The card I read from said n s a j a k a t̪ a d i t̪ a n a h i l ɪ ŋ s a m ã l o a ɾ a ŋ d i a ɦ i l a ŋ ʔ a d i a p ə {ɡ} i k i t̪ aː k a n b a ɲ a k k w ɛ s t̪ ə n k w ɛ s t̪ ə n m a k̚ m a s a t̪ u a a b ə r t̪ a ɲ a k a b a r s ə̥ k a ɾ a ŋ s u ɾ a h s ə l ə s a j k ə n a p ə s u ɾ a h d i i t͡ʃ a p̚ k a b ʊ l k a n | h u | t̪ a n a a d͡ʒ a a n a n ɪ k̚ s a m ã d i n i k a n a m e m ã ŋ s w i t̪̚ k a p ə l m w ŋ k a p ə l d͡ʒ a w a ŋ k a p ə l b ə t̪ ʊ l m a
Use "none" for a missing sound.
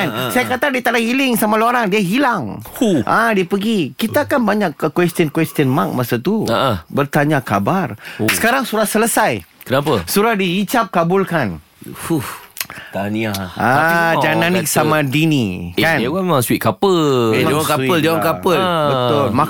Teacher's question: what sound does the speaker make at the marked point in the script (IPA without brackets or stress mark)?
ɡ